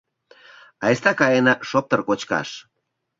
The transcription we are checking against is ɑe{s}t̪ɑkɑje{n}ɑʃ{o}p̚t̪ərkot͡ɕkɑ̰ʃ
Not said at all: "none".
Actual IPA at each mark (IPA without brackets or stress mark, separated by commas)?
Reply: s, n, o